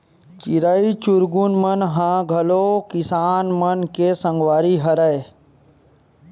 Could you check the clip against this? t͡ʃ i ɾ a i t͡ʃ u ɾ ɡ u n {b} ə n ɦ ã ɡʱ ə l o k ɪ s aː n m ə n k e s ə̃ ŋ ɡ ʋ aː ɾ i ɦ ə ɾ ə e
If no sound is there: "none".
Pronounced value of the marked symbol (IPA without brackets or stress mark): m